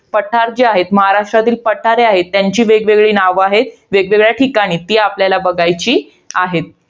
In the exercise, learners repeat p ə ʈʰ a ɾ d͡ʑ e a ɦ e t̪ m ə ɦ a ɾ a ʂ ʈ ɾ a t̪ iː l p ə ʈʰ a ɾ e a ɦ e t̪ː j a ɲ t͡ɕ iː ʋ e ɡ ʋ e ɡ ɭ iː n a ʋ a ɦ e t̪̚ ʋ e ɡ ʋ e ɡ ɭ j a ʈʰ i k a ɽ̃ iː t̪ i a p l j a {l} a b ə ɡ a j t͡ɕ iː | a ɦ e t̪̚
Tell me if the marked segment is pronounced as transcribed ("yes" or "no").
yes